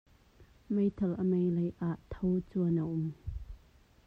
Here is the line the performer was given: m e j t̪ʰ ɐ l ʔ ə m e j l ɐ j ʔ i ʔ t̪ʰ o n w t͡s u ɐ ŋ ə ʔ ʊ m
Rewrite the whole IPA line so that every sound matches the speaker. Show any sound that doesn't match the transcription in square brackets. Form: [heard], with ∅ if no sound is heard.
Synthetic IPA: m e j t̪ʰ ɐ l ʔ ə m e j l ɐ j ʔ [a] ʔ t̪ʰ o [∅] w t͡s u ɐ [n] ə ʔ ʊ m